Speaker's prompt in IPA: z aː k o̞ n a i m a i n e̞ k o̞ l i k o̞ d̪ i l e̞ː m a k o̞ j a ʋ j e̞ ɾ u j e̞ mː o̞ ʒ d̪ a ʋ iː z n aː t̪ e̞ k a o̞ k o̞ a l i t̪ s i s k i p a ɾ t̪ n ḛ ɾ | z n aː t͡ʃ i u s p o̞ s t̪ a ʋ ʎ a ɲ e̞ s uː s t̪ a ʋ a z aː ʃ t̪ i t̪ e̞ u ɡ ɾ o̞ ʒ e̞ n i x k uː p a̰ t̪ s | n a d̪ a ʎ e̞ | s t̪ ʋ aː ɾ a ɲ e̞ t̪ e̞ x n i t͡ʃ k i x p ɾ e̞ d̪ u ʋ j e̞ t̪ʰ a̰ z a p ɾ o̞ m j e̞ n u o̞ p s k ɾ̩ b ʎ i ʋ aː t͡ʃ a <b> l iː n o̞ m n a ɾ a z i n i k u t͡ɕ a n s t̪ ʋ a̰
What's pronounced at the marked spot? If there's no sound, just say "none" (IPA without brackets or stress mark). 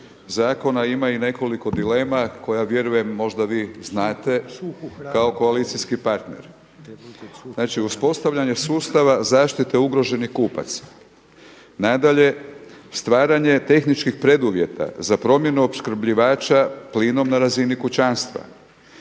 p